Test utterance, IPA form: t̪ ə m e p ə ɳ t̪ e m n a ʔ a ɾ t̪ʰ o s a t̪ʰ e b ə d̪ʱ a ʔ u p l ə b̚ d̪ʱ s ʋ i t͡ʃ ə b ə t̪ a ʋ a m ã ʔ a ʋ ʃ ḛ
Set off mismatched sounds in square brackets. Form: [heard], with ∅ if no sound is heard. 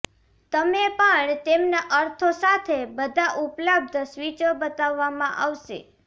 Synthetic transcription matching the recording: t̪ ə m e p ə ɳ t̪ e m n a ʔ [ə] ɾ t̪ʰ o s a t̪ʰ e b ə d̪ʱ a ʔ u p l ə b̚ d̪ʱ s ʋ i t͡ʃ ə b ə t̪ a [ʋː] a m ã ʔ a ʋ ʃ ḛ